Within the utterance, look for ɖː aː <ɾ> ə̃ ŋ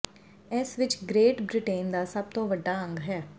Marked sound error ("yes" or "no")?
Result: yes